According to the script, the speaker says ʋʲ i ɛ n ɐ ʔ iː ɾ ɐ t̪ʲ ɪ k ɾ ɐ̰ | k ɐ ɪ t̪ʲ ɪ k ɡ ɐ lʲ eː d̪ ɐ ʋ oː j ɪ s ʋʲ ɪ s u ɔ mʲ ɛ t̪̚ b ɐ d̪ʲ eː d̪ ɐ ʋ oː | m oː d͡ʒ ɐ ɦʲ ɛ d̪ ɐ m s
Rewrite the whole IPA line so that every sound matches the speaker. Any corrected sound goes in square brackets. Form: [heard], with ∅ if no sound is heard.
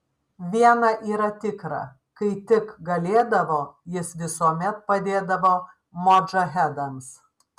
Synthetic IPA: ʋʲ i ɛ n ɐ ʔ iː ɾ ɐ t̪ʲ ɪ k ɾ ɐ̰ | k ɐ ɪ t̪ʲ ɪ k ɡ ɐ lʲ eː d̪ ɐ ʋ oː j ɪ s ʋʲ ɪ s u ɔ mʲ ɛ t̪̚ [p] ɐ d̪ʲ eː d̪ ɐ ʋ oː | m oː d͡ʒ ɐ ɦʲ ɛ d̪ ɐ m s